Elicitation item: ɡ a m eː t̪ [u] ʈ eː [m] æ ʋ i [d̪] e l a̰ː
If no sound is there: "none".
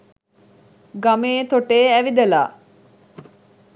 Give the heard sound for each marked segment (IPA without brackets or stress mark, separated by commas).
o, none, d̪